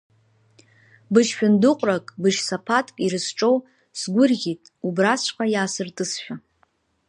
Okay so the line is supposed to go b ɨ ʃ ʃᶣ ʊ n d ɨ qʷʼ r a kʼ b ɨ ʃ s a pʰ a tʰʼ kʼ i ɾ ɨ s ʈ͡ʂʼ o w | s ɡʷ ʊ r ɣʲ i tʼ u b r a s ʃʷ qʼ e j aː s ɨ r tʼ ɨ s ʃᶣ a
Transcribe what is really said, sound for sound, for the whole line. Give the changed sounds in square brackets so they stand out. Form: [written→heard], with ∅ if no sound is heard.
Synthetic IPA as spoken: b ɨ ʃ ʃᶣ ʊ n d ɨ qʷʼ r a kʼ b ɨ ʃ s a pʰ a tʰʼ kʼ i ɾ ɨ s ʈ͡ʂʼ o w | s ɡʷ ʊ r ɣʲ i tʼ u b r a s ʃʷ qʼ [e→a] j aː s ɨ r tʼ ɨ s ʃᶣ a